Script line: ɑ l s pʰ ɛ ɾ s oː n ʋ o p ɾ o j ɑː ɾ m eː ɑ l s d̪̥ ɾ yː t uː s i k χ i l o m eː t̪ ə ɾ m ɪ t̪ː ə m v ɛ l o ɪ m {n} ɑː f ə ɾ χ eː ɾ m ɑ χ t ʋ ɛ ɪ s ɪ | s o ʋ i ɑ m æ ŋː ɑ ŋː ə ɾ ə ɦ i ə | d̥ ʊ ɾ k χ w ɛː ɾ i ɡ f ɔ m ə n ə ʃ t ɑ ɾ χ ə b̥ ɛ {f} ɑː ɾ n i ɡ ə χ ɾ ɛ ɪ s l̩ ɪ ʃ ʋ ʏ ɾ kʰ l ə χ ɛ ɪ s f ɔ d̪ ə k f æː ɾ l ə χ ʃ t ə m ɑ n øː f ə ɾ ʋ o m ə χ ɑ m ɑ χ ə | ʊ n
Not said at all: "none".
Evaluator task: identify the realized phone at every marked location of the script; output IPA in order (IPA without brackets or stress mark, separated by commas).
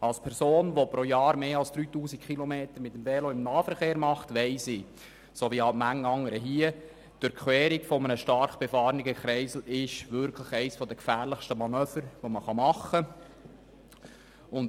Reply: n, f